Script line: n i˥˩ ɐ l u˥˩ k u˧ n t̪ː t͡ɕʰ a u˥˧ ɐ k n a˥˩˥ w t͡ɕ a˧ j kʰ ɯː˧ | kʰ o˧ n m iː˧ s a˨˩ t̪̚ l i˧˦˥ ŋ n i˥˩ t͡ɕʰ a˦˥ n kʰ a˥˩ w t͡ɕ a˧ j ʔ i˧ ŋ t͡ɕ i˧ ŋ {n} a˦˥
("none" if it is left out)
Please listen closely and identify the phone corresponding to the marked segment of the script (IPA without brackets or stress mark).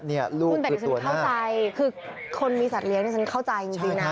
n